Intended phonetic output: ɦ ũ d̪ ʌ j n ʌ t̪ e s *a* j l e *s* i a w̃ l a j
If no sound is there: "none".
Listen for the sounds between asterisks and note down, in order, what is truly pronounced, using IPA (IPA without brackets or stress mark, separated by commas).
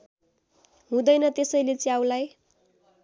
ʌ, t͡s